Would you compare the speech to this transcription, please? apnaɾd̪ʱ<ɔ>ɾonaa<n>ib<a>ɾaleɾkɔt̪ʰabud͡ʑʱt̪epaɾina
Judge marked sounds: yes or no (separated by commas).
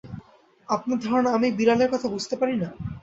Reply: yes, no, no